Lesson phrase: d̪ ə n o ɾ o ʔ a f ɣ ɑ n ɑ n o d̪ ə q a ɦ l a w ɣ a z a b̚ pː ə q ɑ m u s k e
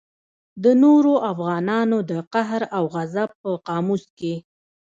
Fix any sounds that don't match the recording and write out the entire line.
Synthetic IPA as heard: d̪ ə n o ɾ o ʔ a f ɣ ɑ n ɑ n o d̪ ə q a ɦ ɾ a w ɣ a z a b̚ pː ə q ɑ m u s k e